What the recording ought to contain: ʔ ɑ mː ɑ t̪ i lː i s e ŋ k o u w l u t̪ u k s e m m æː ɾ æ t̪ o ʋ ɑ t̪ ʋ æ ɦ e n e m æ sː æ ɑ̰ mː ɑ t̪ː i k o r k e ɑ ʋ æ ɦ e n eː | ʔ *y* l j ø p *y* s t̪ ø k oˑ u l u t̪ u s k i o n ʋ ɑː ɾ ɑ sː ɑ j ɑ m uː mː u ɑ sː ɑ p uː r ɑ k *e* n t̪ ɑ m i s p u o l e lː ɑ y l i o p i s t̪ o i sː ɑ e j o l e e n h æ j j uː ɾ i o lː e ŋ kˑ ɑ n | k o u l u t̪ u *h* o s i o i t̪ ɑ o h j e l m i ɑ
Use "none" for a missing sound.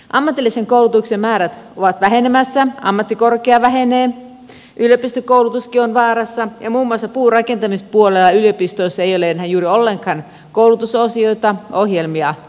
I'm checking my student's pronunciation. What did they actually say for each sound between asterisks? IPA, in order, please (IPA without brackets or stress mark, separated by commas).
y, i, e, s